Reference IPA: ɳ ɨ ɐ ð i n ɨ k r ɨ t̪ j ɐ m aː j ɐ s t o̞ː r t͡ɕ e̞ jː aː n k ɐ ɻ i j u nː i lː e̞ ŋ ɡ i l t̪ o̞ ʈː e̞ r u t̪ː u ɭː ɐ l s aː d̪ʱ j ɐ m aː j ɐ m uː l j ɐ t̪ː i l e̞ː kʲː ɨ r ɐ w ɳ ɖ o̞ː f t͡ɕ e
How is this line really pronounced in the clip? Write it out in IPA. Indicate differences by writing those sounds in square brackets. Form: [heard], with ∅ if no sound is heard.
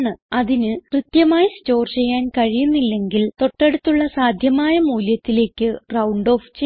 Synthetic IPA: ɳ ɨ ɐ ð i n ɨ k r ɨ t̪ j ɐ m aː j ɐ s t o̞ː r t͡ɕ e̞ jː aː n k ɐ ɻ i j u nː i lː e̞ ŋ ɡ i l t̪ o̞ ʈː e̞ [ɽ] u t̪ː u ɭː ɐ [∅] s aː d̪ʱ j ɐ m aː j ɐ m uː l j ɐ t̪ː i l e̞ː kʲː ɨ r ɐ w ɳ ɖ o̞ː f t͡ɕ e